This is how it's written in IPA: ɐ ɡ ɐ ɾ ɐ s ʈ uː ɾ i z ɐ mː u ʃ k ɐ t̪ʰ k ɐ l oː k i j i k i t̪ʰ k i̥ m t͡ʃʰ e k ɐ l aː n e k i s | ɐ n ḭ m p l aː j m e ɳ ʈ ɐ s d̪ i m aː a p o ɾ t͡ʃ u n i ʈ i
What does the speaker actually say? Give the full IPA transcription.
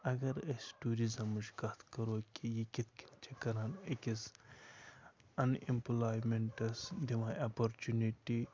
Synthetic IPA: ɐ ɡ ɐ ɾ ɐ s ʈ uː ɾ i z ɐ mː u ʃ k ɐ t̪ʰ k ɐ ɾ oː k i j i k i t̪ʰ k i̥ n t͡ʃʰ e k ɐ ɾ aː n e k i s | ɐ n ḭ m p l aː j m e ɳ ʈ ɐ s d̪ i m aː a p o ɾ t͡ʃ u n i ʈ i

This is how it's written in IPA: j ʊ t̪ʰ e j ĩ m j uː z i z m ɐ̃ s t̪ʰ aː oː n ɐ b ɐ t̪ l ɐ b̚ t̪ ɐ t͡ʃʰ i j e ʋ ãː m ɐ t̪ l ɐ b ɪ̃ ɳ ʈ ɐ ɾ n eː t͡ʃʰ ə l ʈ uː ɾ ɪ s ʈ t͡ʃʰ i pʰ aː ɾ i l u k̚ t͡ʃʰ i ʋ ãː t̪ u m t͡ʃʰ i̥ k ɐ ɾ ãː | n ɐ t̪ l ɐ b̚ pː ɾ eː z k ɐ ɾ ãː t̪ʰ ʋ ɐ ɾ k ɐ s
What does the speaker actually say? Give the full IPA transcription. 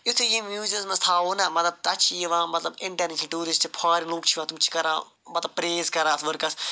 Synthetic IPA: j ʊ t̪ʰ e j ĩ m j uː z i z m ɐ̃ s t̪ʰ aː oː n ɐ m ɐ t̪ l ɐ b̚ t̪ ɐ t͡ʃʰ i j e ʋ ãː m ɐ t̪ l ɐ b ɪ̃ ɳ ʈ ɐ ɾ n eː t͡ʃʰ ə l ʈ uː ɾ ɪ s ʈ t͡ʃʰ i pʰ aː ɾ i l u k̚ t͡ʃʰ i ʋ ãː t̪ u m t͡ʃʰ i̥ k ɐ ɾ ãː | m ɐ t̪ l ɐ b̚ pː ɾ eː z k ɐ ɾ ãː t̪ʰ ʋ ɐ ɾ k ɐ s

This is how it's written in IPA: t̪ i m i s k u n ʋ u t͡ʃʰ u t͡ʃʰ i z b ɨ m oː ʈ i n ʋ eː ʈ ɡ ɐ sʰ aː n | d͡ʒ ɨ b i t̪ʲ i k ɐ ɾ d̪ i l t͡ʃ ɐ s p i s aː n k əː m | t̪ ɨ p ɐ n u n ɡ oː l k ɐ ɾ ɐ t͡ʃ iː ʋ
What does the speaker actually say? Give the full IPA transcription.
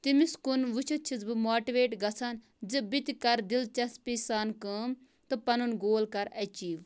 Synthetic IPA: t̪ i m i s k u n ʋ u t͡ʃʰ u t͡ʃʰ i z b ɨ m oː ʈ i ʋ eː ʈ ɡ ɐ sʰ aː n | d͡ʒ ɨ b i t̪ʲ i k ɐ ɾ d̪ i l t͡ʃ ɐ s p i s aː n k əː m | t̪ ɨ p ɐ n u n ɡ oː l k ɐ ɾ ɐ t͡ʃ iː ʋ

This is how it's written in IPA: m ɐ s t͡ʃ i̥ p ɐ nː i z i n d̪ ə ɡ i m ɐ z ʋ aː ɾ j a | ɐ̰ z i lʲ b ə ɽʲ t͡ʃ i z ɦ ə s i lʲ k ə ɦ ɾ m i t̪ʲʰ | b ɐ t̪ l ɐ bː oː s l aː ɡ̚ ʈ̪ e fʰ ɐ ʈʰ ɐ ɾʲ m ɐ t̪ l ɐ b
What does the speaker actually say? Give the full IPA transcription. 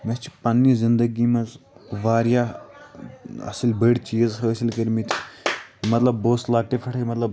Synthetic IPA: m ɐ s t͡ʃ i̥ p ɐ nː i z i n d̪ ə ɡ i m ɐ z ʋ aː ɾ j a | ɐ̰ s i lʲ b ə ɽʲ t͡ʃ i z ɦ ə s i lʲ k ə ɾ m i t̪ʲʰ | m ɐ t̪ l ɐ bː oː s l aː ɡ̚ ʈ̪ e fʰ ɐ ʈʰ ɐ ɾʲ m ɐ t̪ l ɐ b

